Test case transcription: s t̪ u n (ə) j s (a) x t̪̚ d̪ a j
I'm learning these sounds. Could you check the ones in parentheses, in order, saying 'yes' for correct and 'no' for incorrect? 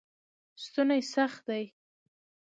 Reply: no, yes

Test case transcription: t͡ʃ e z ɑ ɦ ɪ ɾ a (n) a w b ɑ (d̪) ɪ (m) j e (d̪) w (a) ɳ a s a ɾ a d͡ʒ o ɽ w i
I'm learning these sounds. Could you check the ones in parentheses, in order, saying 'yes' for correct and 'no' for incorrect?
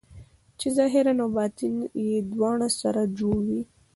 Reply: yes, no, no, yes, no

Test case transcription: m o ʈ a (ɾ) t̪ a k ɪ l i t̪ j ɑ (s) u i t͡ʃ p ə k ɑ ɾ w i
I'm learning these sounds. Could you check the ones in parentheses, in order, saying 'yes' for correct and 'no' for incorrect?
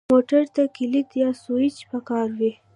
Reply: yes, yes

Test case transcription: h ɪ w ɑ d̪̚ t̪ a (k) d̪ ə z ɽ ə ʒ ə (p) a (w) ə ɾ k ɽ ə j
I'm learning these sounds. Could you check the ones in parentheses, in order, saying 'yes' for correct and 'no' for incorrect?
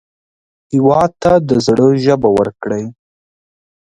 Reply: no, no, yes

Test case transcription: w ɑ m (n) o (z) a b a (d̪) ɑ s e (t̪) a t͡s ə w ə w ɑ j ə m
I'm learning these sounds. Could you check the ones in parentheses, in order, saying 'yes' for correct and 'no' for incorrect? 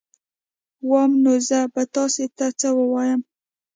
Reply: yes, yes, no, yes

